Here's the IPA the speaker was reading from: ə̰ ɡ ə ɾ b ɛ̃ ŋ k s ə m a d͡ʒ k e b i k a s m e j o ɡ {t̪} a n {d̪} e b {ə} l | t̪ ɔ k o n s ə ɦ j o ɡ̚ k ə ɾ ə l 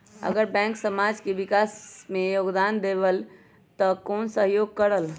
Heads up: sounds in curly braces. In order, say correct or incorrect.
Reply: incorrect: d̪, correct, correct

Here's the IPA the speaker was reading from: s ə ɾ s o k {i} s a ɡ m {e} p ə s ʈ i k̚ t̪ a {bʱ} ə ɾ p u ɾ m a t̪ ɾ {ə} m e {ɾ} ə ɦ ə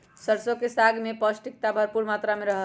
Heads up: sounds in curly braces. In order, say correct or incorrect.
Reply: incorrect: e, correct, correct, incorrect: a, correct

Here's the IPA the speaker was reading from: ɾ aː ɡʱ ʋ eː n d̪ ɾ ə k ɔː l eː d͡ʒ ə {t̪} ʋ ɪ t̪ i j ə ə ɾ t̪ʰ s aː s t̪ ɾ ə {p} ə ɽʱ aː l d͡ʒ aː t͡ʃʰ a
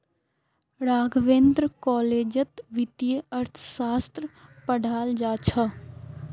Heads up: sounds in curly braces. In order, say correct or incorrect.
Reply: correct, correct

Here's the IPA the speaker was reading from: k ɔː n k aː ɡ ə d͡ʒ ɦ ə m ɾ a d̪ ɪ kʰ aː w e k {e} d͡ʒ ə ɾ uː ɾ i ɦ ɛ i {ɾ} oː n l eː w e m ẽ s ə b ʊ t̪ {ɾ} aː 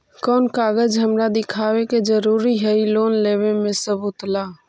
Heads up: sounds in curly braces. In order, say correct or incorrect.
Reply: correct, incorrect: l, incorrect: l

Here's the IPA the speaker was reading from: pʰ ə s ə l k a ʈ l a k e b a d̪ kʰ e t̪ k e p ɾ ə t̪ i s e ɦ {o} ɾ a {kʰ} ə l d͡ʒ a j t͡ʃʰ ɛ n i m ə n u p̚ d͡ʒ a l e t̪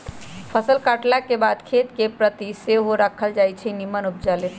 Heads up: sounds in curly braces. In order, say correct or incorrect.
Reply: correct, correct

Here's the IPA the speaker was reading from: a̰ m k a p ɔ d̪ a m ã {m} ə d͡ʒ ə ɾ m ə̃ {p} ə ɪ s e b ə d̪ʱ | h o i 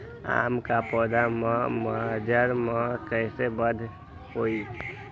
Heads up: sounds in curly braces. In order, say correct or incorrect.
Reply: correct, incorrect: k

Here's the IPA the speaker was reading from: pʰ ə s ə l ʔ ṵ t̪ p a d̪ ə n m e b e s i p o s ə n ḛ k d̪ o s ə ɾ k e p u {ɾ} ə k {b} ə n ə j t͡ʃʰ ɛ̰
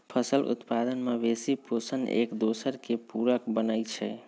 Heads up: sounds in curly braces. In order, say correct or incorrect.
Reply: correct, correct

